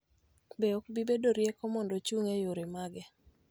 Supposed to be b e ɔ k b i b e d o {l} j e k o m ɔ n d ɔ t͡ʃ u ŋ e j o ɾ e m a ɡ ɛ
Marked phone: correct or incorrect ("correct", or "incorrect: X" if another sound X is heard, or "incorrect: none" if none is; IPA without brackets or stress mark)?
incorrect: ɾ